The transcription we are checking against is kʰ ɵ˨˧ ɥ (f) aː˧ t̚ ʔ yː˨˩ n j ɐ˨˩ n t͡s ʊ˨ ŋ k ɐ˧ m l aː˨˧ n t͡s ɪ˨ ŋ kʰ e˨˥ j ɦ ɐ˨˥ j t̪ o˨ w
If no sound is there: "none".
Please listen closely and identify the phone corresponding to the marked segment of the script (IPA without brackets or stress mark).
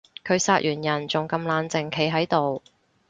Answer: s